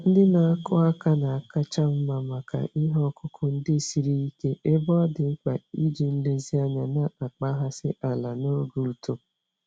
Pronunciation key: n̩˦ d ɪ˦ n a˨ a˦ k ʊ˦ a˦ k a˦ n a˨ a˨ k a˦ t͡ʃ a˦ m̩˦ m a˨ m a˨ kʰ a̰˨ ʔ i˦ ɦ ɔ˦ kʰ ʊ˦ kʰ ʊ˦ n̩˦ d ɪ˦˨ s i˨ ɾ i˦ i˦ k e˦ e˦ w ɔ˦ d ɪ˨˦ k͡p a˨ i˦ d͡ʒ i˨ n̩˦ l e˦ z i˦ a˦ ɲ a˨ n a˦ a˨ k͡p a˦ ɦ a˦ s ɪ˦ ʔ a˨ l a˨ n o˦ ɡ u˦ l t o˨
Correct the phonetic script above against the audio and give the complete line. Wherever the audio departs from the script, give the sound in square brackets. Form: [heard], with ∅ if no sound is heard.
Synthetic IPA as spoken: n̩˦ d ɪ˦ n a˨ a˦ k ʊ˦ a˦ k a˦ n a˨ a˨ k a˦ t͡ʃ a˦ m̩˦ m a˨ m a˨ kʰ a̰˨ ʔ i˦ ɦ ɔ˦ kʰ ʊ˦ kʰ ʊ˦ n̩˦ d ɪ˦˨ s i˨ ɾ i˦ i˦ k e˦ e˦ [b] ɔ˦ d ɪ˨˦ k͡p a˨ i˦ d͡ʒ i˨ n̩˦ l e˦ z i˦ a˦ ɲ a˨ n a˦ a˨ k͡p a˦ ɦ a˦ s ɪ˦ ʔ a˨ l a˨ n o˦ ɡ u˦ l t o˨